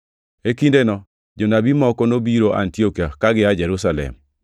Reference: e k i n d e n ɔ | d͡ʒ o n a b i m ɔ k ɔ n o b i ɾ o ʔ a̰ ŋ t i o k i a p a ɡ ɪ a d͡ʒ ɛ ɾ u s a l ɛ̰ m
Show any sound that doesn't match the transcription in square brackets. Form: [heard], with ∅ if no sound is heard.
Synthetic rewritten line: e k i n d e n ɔ | d͡ʒ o n a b i m ɔ k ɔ n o b i ɾ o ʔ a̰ [n] t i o k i a [k] a ɡ ɪ a d͡ʒ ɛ ɾ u s a l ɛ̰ m

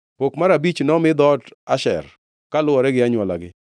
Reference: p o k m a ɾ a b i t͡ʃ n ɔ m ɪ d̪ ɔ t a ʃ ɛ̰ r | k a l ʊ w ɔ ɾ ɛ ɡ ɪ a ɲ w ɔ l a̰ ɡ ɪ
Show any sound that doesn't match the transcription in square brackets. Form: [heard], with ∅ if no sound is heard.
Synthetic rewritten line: p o k m a ɾ a b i t͡ʃ n ɔ m ɪ d̪ ɔ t a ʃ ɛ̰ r | k a l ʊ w ɔ ɾ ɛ ɡ ɪ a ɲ w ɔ l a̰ ɡ ɪ

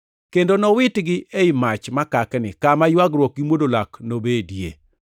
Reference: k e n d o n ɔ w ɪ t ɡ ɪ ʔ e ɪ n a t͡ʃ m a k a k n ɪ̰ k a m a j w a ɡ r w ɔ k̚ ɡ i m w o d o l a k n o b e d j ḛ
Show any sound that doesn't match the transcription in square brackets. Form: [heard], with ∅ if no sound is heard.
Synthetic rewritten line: k e n d o n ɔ w ɪ t ɡ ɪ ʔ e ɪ [m] a t͡ʃ m a k a k n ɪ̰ k a m a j w a ɡ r w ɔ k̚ ɡ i m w o d o l a k n o b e d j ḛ

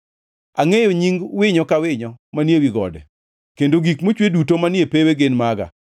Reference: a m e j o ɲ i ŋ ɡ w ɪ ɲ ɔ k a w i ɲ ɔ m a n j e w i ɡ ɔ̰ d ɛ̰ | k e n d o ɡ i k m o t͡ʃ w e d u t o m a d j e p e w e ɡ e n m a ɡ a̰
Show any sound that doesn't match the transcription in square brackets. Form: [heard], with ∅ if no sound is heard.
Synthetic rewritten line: a [ŋ] e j o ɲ i ŋ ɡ w ɪ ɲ ɔ k a w [ɪ] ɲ ɔ m a n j e w i ɡ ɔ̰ d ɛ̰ | k e n d o ɡ i k m o t͡ʃ w e d u t o m a [n] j e p e w e ɡ e n m a ɡ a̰

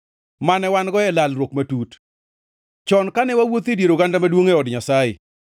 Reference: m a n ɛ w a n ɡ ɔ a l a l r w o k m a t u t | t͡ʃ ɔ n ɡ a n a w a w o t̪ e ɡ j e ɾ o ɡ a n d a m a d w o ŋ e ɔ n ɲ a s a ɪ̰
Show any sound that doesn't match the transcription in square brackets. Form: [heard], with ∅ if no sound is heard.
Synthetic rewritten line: m a n ɛ w a n ɡ ɔ [ɛ] l a l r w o k m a t u t | t͡ʃ ɔ n [k] a n [ɛ] w a w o t̪ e [d] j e ɾ o ɡ a n d a m a d w o ŋ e ɔ [d] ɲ a s a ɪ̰

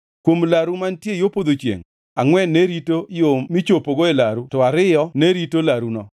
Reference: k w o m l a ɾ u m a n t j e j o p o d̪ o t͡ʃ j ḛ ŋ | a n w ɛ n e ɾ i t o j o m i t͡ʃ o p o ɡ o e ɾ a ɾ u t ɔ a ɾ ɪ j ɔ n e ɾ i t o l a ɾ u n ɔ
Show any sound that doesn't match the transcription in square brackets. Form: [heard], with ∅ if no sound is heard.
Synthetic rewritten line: k w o m l a ɾ u m a n t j e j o p o d̪ o t͡ʃ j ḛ ŋ | a [ŋ] w ɛ n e ɾ i t o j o m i t͡ʃ o p o ɡ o e [l] a ɾ u t ɔ a ɾ ɪ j ɔ n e ɾ i t o l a ɾ u n ɔ

